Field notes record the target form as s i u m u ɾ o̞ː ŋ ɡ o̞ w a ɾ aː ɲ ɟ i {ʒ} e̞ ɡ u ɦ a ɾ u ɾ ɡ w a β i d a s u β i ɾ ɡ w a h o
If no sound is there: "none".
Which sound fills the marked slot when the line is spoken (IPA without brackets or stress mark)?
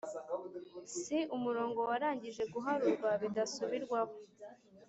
ʒ